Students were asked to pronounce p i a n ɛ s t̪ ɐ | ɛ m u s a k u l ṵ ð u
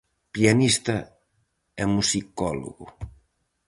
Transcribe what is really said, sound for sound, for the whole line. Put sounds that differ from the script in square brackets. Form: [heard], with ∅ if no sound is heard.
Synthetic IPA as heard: p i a n [i] s t̪ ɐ | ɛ m u s [i] k [ɔ] l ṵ [ɣ] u